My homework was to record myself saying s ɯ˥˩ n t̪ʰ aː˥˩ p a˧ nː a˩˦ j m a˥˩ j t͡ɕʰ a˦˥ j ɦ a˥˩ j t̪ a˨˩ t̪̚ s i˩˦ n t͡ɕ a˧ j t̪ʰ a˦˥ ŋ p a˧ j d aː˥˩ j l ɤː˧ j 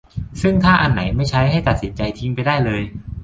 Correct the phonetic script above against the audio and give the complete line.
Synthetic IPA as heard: s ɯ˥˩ ŋ t̪ʰ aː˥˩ ʔ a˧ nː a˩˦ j m a˥˩ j t͡ɕʰ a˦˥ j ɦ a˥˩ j t̪ a˨˩ t̪̚ s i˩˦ n t͡ɕ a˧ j t̪ʰ i˦˥ ŋ p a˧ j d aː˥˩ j l ɤː˧ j